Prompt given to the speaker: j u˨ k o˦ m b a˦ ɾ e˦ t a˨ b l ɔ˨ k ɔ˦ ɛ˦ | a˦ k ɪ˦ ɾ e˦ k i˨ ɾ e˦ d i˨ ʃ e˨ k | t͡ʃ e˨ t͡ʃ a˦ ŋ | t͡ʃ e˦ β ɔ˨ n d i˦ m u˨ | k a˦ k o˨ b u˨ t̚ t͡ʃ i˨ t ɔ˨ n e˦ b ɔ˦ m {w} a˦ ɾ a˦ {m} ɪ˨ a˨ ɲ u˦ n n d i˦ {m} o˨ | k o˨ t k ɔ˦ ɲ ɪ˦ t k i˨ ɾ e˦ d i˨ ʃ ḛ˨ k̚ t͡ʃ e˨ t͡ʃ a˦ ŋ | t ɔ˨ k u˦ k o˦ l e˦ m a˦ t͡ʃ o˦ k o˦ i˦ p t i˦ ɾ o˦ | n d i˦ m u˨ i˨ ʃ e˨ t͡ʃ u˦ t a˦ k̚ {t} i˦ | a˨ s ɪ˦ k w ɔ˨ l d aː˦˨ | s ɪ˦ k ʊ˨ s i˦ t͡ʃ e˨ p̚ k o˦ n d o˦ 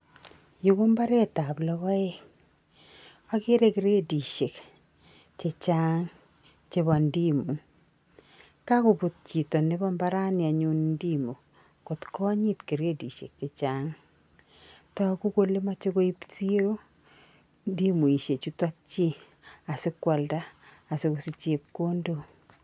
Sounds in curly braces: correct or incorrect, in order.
incorrect: b, incorrect: n, correct, incorrect: t͡ʃ

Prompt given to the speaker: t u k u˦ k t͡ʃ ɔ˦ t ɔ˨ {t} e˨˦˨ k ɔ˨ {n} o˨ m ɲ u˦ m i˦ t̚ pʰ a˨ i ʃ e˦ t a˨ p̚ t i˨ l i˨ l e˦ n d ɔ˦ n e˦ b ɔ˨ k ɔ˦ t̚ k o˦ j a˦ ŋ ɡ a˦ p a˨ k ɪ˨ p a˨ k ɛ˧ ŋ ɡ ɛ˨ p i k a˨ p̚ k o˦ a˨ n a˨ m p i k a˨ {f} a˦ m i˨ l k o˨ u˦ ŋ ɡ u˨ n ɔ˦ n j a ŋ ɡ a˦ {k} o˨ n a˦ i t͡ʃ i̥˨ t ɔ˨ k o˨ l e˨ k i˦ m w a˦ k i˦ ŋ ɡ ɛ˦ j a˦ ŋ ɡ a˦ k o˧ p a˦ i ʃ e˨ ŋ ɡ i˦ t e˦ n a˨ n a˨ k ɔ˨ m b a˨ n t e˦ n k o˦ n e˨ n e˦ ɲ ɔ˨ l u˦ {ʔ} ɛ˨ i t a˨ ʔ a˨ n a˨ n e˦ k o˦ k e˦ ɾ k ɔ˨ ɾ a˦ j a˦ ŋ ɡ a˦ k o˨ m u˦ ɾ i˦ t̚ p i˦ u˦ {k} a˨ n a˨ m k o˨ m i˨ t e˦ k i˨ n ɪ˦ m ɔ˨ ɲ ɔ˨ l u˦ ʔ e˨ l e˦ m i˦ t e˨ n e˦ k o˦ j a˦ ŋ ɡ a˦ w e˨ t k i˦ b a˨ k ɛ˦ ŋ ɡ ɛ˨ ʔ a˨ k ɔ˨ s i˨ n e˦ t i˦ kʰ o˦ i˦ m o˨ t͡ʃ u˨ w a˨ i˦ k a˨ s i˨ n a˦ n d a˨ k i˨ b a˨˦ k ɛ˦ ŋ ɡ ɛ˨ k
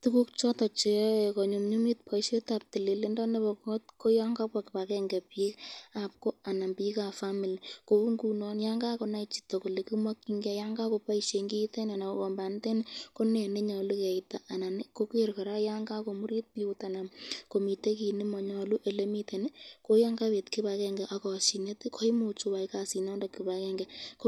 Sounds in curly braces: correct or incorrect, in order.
incorrect: t͡ʃ, incorrect: ɲ, correct, correct, incorrect: k, incorrect: t

